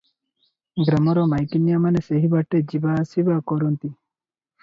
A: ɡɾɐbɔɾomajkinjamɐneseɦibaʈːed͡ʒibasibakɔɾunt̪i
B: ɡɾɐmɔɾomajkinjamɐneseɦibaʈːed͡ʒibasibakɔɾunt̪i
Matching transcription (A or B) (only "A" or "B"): B